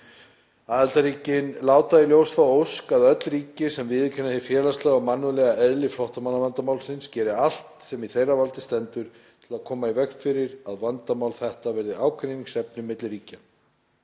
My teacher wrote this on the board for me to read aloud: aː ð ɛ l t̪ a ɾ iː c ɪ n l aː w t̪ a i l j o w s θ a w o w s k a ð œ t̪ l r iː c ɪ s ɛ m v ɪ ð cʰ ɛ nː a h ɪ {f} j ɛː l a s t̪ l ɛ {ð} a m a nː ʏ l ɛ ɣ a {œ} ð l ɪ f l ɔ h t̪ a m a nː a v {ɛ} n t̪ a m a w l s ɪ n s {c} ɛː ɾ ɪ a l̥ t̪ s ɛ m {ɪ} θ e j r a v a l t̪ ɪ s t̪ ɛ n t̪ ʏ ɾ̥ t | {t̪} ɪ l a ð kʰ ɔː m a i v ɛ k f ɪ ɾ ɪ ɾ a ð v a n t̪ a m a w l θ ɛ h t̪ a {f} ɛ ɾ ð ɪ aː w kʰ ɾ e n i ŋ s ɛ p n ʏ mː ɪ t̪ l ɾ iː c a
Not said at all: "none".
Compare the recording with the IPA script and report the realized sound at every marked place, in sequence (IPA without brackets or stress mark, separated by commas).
f, ɣ, ɛ, a, c, i, t̪ʰ, v